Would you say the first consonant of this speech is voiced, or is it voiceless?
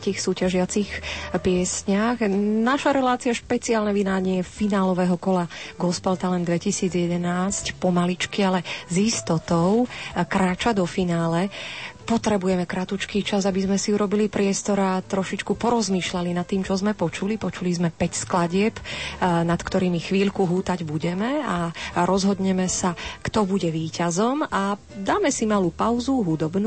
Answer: voiceless